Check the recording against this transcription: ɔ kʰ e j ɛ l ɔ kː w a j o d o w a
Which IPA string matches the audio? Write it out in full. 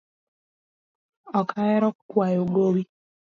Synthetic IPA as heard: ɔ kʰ a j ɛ ɾ ɔ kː w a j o ɡ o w i